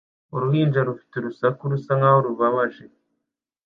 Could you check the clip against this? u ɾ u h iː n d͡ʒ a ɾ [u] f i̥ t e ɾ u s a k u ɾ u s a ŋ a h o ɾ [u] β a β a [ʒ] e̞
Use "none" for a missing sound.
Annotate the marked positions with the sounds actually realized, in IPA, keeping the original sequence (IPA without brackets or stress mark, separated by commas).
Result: u, u, ʒ